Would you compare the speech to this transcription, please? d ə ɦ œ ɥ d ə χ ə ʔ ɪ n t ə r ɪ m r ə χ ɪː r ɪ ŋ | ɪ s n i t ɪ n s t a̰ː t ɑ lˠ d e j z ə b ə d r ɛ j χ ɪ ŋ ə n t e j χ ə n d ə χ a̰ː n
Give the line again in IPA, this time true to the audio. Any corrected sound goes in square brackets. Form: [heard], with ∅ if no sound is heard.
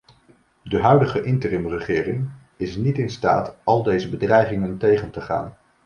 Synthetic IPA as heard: d ə ɦ œ ɥ d ə χ ə ʔ ɪ n t ə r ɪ m r ə χ ɪː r ɪ ŋ | ɪ s n i t ɪ n s t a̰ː t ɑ lˠ d e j z ə b ə d r ɛ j χ ɪ ŋ ə n t e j χ ə n [t] ə χ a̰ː n